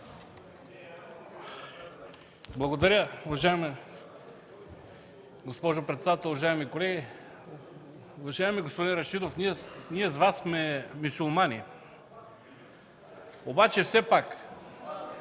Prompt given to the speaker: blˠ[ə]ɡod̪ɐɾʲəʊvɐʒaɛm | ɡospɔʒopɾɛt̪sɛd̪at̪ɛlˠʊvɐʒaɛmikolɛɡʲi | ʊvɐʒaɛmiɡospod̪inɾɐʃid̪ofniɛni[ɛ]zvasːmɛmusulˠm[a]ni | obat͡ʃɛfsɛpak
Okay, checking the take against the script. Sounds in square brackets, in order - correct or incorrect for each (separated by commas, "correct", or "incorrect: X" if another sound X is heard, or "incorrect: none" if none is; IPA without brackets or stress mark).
incorrect: ɐ, correct, correct